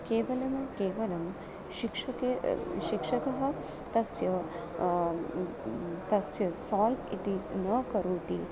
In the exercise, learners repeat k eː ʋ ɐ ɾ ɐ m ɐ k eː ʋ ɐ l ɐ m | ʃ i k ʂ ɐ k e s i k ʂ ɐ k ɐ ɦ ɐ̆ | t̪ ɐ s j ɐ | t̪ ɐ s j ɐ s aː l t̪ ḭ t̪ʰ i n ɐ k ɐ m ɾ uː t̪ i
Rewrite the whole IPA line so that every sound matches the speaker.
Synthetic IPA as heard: k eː ʋ ɐ l ɐ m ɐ k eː ʋ ɐ l ɐ m | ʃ i k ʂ ɐ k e ʃ i k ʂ ɐ k ɐ ɦ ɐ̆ | t̪ ɐ s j ɐ | t̪ ɐ s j ɐ s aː l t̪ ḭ t̪ i n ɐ k ɐ ɾ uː t̪ i